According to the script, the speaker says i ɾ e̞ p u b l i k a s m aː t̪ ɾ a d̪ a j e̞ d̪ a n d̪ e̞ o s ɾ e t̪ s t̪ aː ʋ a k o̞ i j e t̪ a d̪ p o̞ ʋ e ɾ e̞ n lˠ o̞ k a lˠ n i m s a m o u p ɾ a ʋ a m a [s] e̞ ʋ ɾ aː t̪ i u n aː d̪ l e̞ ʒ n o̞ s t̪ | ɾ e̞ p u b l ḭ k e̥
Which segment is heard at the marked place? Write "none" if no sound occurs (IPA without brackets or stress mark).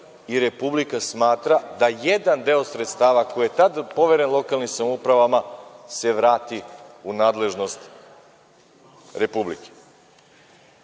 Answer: s